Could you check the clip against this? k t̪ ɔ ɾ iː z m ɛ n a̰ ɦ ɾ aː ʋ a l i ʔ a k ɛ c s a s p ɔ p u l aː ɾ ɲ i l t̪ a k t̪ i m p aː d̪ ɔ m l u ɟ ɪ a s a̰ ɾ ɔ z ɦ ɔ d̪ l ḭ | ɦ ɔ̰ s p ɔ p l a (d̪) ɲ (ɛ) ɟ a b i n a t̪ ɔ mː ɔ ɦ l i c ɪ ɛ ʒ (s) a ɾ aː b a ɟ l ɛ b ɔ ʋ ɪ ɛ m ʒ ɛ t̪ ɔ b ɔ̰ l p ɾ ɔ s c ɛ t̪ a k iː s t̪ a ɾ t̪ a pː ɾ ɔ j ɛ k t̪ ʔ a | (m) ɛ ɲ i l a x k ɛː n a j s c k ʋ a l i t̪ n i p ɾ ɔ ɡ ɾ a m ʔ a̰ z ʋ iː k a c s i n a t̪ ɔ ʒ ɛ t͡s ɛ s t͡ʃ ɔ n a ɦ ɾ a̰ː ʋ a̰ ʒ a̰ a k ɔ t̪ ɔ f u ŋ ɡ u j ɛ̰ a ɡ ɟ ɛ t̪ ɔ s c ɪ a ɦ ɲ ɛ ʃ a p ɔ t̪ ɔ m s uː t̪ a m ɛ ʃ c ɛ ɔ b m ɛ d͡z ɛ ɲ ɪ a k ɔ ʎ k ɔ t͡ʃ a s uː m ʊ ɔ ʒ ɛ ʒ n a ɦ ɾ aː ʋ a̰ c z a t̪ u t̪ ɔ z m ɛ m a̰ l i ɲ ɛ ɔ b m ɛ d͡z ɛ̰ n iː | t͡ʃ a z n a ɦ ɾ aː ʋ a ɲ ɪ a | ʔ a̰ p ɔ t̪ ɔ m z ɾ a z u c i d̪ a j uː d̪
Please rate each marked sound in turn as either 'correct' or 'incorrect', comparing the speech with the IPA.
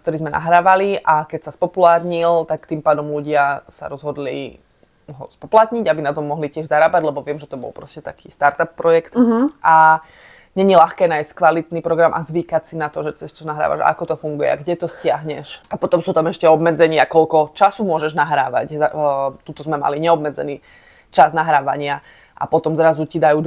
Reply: incorrect, incorrect, incorrect, incorrect

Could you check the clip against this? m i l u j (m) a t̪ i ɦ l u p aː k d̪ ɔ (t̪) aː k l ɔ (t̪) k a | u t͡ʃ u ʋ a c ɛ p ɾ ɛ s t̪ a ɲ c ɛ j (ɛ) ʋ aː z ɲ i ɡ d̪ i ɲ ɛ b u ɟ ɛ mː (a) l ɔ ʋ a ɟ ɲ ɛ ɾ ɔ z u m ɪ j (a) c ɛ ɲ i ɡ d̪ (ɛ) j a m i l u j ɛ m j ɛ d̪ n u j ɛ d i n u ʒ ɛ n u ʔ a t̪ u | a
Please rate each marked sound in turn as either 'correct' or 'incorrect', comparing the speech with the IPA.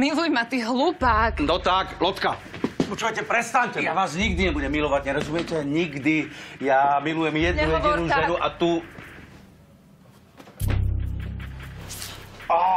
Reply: correct, correct, correct, incorrect, incorrect, incorrect, incorrect

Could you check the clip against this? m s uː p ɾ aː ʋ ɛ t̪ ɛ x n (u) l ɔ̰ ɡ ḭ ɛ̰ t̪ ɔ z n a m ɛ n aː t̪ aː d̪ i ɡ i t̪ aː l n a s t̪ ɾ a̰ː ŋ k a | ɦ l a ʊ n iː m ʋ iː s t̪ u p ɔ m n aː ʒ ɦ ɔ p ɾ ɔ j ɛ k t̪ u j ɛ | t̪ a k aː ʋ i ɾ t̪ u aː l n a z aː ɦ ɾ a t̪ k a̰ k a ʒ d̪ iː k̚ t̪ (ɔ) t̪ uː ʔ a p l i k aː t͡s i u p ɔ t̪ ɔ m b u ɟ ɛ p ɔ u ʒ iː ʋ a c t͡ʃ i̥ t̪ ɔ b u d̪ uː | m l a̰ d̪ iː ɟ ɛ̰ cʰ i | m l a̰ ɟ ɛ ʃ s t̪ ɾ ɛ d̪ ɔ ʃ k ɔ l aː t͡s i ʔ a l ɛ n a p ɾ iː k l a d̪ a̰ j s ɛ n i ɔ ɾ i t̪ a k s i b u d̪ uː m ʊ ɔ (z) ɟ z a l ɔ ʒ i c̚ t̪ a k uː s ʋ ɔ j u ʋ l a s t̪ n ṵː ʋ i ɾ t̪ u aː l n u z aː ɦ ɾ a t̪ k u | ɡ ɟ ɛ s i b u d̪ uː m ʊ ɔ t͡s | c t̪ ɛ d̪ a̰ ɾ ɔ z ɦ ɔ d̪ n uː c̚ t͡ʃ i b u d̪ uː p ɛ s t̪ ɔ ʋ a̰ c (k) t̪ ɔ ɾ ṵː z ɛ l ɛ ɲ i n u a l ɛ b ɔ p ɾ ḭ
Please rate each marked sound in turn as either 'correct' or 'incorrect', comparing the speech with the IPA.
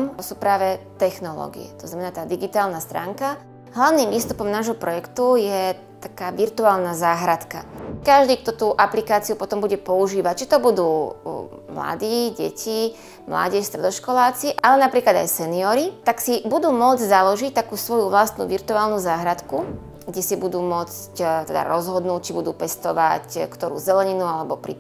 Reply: incorrect, correct, incorrect, correct

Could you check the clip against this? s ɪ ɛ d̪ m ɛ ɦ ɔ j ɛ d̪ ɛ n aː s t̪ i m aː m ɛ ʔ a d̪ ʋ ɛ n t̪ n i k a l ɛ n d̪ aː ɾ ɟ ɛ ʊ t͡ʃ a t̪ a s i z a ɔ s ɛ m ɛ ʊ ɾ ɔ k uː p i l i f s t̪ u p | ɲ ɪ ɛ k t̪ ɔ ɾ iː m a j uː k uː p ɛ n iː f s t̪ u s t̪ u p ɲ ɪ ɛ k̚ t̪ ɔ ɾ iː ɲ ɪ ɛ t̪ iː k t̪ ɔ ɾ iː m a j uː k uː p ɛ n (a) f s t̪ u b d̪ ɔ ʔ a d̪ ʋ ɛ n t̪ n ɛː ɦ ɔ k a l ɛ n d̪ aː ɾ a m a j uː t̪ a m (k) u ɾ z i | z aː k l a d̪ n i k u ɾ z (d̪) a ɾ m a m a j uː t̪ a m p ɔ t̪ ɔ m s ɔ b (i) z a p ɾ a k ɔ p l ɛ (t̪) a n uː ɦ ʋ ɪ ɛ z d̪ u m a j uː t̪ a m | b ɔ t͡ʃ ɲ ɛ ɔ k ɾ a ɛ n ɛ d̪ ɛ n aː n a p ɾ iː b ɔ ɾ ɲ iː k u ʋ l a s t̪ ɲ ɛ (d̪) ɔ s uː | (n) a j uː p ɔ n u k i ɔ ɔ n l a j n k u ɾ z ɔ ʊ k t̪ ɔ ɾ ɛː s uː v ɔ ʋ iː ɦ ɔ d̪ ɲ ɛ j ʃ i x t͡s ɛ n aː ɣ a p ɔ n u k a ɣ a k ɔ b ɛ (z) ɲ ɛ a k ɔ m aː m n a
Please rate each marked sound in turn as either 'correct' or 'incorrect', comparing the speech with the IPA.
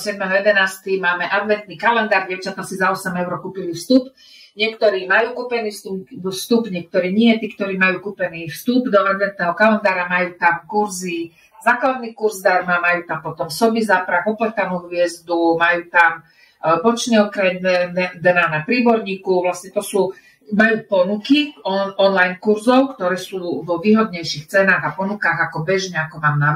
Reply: incorrect, correct, correct, correct, correct, incorrect, incorrect, incorrect

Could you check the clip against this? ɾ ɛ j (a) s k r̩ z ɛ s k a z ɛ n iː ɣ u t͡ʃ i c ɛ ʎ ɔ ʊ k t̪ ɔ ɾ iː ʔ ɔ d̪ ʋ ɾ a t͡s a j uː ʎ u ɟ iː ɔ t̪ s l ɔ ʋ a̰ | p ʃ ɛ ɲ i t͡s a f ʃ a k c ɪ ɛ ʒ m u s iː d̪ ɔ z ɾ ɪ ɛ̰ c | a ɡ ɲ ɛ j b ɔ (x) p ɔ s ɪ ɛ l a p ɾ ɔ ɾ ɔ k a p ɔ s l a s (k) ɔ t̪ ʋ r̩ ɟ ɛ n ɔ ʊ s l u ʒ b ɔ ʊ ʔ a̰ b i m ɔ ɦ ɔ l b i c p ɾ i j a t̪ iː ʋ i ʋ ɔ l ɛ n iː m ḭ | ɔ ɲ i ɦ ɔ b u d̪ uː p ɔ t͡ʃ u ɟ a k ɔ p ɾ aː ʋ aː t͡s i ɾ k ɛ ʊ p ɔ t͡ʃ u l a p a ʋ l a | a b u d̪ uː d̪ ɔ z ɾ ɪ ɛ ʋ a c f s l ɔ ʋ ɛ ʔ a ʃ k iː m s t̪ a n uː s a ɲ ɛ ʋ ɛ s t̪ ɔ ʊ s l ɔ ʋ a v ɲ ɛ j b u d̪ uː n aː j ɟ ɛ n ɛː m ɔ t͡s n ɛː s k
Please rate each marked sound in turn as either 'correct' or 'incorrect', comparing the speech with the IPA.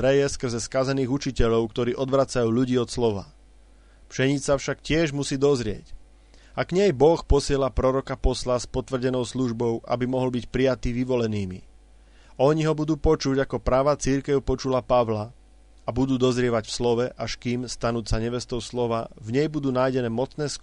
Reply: incorrect, correct, incorrect

